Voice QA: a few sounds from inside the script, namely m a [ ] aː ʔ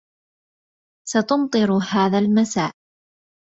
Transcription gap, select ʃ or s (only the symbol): s